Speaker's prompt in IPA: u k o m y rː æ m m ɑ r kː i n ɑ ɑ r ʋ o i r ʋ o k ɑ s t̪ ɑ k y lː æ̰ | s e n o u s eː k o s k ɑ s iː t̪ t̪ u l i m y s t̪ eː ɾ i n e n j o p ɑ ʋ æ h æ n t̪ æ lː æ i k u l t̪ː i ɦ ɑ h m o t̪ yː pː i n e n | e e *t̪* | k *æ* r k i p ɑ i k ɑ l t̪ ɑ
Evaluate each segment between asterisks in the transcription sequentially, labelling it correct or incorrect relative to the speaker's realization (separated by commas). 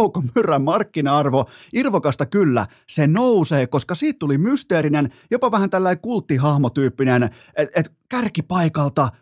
correct, correct